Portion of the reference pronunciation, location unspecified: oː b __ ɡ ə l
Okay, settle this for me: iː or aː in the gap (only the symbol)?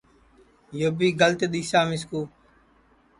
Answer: iː